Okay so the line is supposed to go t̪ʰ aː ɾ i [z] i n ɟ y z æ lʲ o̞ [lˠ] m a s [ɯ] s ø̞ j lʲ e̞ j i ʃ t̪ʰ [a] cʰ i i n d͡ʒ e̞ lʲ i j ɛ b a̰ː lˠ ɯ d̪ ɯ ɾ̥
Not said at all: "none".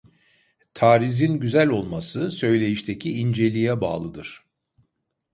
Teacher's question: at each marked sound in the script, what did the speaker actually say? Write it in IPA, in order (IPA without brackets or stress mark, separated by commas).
z, lˠ, ɯ, e